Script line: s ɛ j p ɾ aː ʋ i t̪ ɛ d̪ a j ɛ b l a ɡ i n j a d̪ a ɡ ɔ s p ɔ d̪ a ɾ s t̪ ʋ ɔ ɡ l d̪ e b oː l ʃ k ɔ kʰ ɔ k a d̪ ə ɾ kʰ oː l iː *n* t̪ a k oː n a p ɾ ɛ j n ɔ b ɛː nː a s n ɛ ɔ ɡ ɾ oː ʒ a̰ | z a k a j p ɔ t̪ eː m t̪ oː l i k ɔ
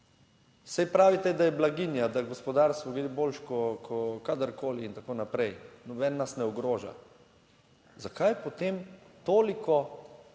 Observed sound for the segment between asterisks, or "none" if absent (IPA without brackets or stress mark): n